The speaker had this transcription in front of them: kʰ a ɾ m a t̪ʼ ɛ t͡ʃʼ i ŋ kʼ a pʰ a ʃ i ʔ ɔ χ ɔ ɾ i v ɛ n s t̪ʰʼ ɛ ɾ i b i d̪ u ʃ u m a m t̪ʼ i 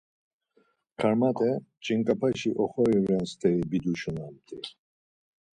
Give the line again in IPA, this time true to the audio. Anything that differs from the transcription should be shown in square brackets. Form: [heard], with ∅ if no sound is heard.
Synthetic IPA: kʰ a ɾ m a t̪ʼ ɛ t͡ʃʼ i ŋ kʼ a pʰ a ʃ i ʔ ɔ χ ɔ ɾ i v ɛ n s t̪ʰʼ ɛ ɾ i b i d̪ u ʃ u [n] a m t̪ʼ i